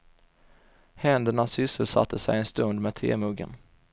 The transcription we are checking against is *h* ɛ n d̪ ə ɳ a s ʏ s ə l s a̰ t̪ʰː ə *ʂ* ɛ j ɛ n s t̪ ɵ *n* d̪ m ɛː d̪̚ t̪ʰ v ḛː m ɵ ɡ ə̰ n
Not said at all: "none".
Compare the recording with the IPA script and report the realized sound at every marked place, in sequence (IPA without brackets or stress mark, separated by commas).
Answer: h, s, n